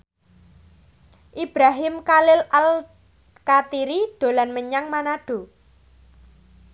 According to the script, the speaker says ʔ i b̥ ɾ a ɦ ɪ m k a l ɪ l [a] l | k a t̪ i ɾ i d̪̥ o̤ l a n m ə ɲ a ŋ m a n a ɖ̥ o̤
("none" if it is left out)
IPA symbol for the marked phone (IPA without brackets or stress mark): a